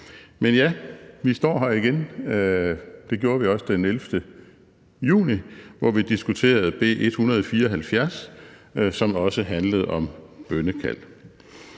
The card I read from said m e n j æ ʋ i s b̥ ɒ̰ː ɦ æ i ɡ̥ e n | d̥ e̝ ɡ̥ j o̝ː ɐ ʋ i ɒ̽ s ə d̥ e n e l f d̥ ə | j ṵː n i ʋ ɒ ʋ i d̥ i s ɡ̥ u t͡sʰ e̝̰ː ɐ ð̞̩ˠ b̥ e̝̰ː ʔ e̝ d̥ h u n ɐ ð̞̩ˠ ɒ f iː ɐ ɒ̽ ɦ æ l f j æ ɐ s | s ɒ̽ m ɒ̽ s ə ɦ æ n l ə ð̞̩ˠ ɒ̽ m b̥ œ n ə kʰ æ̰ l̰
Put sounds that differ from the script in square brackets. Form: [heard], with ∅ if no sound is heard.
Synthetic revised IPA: m e n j æ ʋ i s [d̥] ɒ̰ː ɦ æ i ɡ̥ e n | d̥ e̝ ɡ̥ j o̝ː ɐ ʋ i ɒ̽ s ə d̥ e n e l f d̥ ə | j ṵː n i ʋ ɒ ʋ i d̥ i s ɡ̥ u t͡sʰ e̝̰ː ɐ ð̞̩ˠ b̥ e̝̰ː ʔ e̝ d̥ h u n ɐ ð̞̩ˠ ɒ f iː ɐ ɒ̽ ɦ æ l f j æ ɐ s | s ɒ̽ m ɒ̽ s ə ɦ æ n l ə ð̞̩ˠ ɒ̽ m b̥ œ n ə kʰ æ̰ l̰

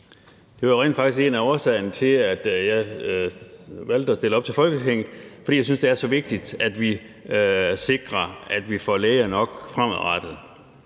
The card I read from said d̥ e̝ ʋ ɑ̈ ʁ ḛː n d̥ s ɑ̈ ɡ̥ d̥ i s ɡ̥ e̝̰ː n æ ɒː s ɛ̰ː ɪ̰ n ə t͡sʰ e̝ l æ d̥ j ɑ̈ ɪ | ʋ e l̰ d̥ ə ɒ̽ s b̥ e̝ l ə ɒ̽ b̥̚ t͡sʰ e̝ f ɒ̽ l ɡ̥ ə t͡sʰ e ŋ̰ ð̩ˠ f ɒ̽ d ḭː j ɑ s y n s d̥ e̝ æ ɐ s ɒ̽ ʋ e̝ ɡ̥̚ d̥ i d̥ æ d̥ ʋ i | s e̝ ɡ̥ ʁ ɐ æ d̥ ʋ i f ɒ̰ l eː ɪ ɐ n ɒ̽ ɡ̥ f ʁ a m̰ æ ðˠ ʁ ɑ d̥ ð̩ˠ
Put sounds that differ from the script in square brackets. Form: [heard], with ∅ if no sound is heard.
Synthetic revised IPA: d̥ e̝ ʋ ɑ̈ ʁ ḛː n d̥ [f] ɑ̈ ɡ̥ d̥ i s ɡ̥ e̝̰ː n æ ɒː s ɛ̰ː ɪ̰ n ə t͡sʰ e̝ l æ d̥ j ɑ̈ ɪ | ʋ [æ] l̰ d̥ ə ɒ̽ s [d̥] e̝ l ə ɒ̽ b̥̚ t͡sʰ e̝ f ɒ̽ l ɡ̥ ə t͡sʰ e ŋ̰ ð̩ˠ f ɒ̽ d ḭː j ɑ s y n s d̥ e̝ æ ɐ s ɒ̽ ʋ e̝ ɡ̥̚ d̥ i d̥ æ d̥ ʋ i | s e̝ ɡ̥ ʁ ɐ æ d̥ ʋ i f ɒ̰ l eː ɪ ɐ n ɒ̽ ɡ̥ f ʁ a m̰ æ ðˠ ʁ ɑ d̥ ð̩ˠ

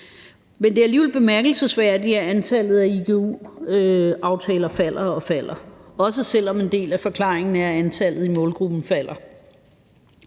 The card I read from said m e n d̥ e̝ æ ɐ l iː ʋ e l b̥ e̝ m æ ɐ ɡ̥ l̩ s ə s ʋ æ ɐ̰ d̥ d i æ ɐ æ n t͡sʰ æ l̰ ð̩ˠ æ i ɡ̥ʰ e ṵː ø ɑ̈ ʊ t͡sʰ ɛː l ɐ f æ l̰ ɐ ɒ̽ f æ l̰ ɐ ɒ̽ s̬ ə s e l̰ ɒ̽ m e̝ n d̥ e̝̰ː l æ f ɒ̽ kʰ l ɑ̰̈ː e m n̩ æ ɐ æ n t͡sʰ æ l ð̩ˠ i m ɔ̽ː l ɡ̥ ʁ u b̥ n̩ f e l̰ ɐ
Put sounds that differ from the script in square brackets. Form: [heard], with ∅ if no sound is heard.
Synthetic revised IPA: m e n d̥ e̝ æ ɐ l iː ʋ e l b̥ e̝ m æ ɐ ɡ̥ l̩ s ə s ʋ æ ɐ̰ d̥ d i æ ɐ æ n t͡sʰ æ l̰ ð̩ˠ æ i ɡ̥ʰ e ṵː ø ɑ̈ ʊ t͡sʰ ɛː l ɐ f æ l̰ ɐ ɒ̽ f æ l̰ ɐ ɒ̽ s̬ ə s e l̰ ɒ̽ m e̝ n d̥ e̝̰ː l æ f ɒ̽ kʰ l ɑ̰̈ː e [ŋ] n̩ æ ɐ æ n t͡sʰ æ l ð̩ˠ i m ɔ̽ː l ɡ̥ ʁ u b̥ n̩ f [æ] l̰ ɐ

